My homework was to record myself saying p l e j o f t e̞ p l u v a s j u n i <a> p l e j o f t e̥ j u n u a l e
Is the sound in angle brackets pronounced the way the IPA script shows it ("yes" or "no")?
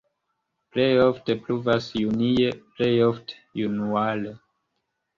no